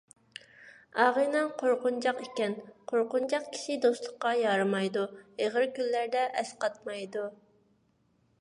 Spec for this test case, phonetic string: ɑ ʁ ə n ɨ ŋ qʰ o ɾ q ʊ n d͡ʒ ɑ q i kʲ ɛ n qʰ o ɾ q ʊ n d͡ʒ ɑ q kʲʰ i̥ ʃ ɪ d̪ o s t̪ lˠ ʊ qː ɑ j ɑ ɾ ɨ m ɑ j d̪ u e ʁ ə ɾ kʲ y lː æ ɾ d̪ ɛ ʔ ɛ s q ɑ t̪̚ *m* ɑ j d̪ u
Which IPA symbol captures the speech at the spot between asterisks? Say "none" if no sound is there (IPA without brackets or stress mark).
m